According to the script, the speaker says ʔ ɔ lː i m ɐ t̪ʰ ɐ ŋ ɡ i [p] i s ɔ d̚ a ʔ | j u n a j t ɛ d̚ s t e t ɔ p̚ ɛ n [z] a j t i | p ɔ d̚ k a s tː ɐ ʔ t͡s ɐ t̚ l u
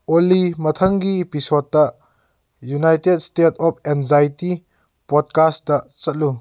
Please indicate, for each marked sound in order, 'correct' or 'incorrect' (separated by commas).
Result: correct, correct